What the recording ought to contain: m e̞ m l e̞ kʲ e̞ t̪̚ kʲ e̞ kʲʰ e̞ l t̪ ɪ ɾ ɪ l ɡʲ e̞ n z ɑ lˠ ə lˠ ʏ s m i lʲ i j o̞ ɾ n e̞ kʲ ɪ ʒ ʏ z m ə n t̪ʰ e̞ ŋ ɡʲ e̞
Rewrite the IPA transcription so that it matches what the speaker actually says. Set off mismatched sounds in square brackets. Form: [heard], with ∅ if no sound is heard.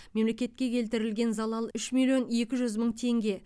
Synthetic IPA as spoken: m e̞ m l e̞ kʲ e̞ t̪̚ kʲ e̞ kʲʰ e̞ l t̪ ɪ ɾ ɪ l ɡʲ e̞ n z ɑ lˠ [ɑ] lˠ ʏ [ʃ] m i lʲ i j o̞ [∅] n e̞ kʲ ɪ ʒ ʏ z m ə [ɴ] t̪ʰ e̞ ŋ ɡʲ e̞

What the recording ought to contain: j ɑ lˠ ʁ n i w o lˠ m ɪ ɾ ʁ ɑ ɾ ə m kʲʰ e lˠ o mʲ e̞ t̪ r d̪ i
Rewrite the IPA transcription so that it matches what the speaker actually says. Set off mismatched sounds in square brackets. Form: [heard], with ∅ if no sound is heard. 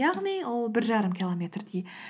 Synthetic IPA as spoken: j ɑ [∅] ʁ n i w o lˠ [b] ɪ ɾ [ʒ] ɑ ɾ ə m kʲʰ [i] lˠ o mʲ e̞ t̪ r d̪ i

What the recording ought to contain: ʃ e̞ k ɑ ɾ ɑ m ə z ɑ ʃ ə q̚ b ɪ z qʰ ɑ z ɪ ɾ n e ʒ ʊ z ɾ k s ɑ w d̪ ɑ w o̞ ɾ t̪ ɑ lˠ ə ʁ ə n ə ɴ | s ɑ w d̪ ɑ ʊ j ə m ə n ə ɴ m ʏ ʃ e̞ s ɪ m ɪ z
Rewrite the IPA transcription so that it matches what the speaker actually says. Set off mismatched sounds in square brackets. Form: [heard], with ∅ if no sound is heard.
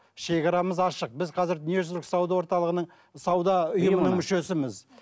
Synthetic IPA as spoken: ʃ e̞ k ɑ ɾ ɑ m ə z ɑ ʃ ə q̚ b ɪ z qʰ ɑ z ɪ ɾ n e ʒ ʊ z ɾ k s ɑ w d̪ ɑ w o̞ ɾ t̪ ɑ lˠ ə ʁ ə n ə ɴ | s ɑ w d̪ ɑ ʊ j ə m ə n ə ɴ m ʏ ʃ e̞ s ɪ m ɪ z

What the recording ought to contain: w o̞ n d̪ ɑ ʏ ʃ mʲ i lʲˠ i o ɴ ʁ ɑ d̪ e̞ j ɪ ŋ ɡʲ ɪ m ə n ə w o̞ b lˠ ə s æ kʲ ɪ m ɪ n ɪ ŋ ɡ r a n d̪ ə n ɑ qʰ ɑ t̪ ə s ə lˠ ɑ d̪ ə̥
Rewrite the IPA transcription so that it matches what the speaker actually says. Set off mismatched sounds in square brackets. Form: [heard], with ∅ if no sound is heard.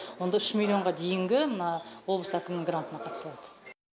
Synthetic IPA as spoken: w o̞ n d̪ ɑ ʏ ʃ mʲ i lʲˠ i o ɴ ʁ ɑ d̪ e̞ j ɪ ŋ ɡʲ ɪ m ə n [ɑ] w o̞ b lˠ ə s æ kʲ ɪ m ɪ n ɪ ŋ ɡ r a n [t̪] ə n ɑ qʰ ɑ t̪ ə s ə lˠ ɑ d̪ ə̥

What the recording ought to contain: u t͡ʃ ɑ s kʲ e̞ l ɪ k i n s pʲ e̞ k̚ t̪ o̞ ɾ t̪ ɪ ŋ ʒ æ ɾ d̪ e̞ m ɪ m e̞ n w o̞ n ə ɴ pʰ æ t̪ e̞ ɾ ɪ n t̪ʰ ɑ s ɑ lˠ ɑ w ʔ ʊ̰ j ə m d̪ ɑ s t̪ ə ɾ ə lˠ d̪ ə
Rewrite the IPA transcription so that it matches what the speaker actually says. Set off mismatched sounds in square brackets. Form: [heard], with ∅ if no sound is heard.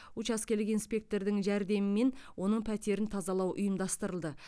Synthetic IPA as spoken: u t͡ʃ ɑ s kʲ e̞ l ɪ k i n s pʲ e̞ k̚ t̪ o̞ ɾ [d̪] ɪ ŋ ʒ æ ɾ d̪ e̞ m ɪ m e̞ n w o̞ n ə ɴ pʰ æ t̪ e̞ ɾ ɪ n t̪ʰ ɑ [z] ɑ lˠ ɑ w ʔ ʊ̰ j ə m d̪ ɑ s t̪ ə ɾ ə lˠ d̪ ə

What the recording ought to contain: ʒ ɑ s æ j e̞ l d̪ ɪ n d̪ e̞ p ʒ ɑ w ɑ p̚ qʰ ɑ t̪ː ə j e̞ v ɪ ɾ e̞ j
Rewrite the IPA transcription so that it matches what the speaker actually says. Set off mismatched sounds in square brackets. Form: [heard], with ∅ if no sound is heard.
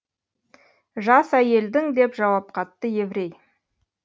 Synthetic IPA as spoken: ʒ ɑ s æ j e̞ l d̪ ɪ [ŋ] d̪ e̞ p ʒ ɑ w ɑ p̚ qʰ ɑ t̪ː ə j e̞ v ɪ ɾ e̞ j

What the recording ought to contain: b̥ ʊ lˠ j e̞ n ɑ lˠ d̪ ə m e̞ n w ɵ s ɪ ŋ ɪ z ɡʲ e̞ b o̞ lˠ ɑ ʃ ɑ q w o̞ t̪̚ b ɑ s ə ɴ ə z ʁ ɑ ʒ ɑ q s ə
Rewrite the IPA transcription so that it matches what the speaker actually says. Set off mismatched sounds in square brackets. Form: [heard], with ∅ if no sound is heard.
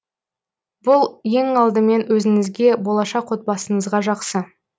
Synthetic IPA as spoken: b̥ ʊ lˠ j e̞ [ŋ] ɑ lˠ d̪ ə m e̞ n w ɵ [z] ɪ ŋ ɪ z ɡʲ e̞ b o̞ lˠ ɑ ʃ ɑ q w o̞ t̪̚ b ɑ s ə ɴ ə z ʁ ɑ ʒ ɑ q s ə

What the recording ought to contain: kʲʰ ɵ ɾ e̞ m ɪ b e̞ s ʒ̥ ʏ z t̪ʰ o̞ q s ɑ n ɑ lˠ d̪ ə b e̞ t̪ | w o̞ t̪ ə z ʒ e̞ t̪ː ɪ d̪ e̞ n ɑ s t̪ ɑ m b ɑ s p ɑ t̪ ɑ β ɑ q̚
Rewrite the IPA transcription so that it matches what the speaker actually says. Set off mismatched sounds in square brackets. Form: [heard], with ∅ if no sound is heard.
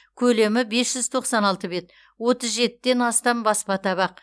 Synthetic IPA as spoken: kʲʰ ɵ [l] e̞ m ɪ b e̞ s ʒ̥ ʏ z t̪ʰ o̞ q s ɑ n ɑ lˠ [t̪] ə b e̞ t̪ | w o̞ t̪ ə z ʒ e̞ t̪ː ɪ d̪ e̞ n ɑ s t̪ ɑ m b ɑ s p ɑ t̪ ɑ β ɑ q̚

